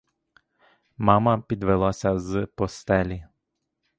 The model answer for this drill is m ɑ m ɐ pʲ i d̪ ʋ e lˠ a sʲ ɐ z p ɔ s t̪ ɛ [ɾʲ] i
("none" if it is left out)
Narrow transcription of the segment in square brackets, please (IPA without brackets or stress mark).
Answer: lʲ